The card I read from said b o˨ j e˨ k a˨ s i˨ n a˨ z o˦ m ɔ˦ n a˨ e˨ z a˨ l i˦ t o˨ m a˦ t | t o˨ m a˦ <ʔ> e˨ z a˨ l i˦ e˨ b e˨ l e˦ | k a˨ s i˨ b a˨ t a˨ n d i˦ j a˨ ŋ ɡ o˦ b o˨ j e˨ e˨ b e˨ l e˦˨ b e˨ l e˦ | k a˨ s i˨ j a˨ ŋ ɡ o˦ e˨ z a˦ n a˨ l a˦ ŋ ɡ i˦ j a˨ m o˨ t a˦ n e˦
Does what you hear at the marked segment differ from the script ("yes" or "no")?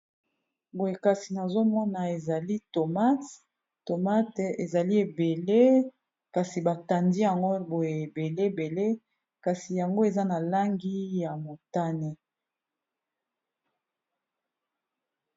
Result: yes